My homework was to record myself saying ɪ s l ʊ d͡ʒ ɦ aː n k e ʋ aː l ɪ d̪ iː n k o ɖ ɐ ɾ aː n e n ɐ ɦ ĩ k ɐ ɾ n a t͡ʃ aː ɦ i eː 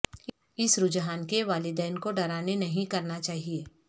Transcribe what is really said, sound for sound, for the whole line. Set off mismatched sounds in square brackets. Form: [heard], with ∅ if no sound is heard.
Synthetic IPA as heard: ɪ s [ɾ] ʊ d͡ʒ ɦ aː n k e ʋ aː l ɪ d̪ [ɛː] n k o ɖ ɐ ɾ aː n e n ɐ ɦ ĩ k ɐ ɾ n a t͡ʃ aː ɦ i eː